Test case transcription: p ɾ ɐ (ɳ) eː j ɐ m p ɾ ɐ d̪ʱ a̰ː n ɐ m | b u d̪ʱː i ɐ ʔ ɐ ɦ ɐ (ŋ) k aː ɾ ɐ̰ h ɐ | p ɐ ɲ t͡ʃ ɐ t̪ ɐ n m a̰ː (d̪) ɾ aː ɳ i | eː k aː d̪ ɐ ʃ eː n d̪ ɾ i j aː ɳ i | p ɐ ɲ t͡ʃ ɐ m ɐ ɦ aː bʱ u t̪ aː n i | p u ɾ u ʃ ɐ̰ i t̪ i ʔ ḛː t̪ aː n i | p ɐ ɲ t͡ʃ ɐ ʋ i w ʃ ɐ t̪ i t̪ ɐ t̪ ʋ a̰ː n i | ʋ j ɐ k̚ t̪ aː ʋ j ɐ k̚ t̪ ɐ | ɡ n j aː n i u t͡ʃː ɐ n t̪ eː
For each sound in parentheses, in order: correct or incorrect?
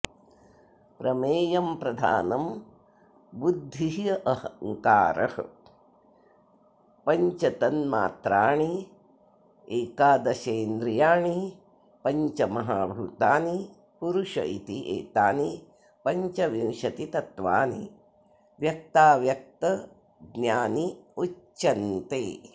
incorrect: m, correct, incorrect: t̪

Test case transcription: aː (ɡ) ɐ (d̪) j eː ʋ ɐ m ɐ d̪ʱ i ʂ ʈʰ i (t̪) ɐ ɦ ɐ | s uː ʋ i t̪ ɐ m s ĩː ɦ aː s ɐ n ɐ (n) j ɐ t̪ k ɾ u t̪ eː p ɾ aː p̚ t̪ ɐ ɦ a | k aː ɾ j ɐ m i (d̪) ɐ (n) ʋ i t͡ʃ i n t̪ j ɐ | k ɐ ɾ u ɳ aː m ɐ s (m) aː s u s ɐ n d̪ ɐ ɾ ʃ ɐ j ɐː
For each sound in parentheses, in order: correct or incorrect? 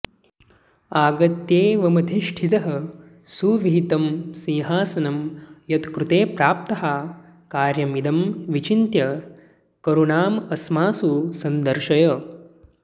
correct, incorrect: t̪, correct, incorrect: m, correct, incorrect: m, correct

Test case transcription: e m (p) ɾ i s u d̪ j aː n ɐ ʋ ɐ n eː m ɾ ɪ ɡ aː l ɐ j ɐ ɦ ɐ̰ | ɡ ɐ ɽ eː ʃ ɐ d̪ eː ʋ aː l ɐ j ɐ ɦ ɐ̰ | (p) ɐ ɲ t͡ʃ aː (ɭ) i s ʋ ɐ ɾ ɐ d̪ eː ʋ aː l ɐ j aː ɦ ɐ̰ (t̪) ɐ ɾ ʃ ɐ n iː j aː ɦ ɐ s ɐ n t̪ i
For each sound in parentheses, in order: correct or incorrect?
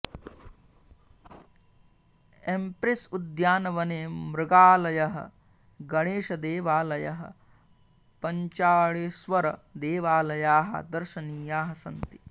correct, correct, correct, incorrect: d̪

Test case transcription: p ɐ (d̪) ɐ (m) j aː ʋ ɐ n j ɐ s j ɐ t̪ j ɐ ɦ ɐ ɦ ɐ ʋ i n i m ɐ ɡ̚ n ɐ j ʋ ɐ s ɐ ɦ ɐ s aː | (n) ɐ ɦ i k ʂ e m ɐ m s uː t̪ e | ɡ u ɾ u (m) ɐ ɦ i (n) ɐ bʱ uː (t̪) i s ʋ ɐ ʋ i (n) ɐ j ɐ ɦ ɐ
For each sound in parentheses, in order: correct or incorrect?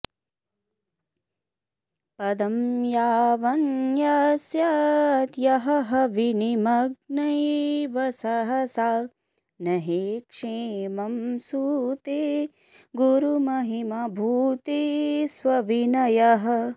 correct, correct, correct, correct, incorrect: m, correct, correct

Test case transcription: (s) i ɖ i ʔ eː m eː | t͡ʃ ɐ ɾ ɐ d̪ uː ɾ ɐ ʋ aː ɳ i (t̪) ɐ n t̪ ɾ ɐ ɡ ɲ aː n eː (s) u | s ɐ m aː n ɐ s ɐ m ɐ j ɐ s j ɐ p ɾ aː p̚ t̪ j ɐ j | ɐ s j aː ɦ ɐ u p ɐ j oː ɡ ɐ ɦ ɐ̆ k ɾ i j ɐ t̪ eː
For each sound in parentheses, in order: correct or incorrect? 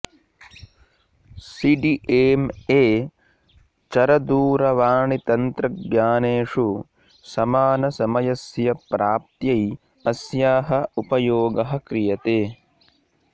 correct, correct, incorrect: ʂ

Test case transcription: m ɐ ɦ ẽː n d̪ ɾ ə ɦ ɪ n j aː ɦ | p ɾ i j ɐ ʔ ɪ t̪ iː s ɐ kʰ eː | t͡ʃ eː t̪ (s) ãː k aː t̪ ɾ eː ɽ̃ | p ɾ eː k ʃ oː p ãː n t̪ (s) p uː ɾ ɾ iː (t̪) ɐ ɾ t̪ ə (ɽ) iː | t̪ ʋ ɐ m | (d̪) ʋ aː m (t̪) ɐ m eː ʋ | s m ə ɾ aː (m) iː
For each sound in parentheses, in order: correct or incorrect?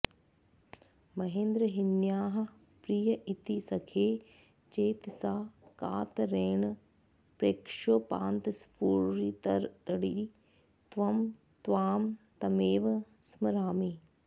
correct, correct, correct, correct, incorrect: t̪, correct, correct

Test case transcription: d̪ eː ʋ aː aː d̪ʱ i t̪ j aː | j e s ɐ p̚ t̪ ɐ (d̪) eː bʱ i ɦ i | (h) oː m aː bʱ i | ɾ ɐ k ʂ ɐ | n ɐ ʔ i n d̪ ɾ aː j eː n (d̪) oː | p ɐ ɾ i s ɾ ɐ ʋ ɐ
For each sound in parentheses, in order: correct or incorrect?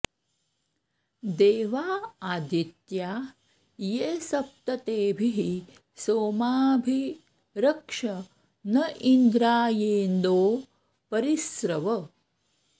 incorrect: t̪, incorrect: s, correct

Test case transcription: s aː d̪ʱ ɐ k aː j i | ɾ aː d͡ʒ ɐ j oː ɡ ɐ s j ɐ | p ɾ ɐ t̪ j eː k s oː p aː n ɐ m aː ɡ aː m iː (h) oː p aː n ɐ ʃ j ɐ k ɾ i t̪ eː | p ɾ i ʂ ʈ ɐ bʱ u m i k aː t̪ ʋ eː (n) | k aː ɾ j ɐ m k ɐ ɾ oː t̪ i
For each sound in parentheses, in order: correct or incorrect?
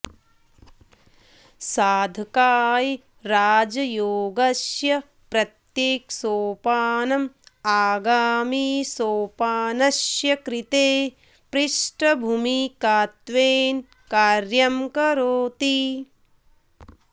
incorrect: s, correct

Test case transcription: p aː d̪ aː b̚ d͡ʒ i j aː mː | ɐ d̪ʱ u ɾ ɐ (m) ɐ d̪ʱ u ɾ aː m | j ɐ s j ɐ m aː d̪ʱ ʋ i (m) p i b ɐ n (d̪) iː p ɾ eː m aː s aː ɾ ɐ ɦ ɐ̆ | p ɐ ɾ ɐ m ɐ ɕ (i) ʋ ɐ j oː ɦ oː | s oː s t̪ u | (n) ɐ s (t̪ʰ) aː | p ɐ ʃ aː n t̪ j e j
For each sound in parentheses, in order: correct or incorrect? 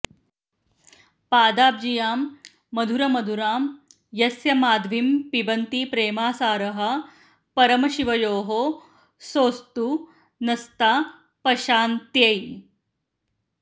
correct, correct, incorrect: t̪, correct, correct, incorrect: t̪

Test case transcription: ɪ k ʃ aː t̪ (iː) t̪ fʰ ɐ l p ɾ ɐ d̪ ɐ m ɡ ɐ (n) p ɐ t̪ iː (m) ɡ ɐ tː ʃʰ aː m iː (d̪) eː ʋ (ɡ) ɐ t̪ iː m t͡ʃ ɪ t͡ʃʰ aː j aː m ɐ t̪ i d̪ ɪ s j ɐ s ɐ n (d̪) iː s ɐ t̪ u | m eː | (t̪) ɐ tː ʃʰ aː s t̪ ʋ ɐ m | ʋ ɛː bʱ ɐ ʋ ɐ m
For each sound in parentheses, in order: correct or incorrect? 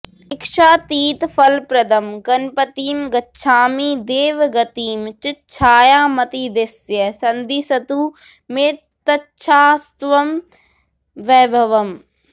correct, correct, correct, correct, correct, correct, correct

